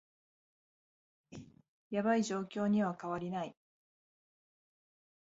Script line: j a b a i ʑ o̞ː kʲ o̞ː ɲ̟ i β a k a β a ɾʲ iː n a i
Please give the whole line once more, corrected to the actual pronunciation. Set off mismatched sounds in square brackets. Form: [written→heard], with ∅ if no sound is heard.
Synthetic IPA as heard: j a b a i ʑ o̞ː kʲ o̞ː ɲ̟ i β a k a β a ɾʲ [iː→i] n a i